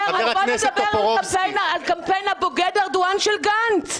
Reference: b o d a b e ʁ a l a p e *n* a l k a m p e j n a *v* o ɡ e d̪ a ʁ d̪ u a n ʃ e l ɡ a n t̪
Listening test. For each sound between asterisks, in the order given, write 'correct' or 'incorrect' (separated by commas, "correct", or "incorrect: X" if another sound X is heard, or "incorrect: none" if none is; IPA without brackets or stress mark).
correct, incorrect: b